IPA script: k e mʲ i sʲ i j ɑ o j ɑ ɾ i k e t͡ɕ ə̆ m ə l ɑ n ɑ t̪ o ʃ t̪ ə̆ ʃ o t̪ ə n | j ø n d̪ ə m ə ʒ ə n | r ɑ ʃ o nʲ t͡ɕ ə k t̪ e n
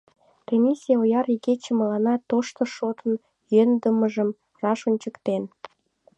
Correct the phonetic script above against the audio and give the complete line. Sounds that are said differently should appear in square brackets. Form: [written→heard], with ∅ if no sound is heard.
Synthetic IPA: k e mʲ i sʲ i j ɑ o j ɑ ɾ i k e t͡ɕ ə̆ m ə l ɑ n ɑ t̪ o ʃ t̪ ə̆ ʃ o t̪ ə n | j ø n d̪ ə m ə ʒ ə [n→m] | r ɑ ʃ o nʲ t͡ɕ ə k t̪ e n